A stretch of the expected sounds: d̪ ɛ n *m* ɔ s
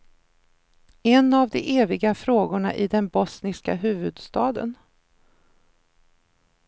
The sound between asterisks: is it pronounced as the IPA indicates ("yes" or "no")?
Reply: no